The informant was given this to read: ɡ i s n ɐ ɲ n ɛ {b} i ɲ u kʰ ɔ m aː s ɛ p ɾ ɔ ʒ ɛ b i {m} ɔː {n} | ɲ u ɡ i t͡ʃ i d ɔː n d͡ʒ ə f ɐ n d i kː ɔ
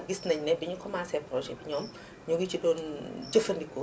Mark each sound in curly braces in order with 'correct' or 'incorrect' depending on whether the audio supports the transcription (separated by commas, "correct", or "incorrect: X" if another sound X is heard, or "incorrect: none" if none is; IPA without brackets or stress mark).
correct, incorrect: ɲ, incorrect: m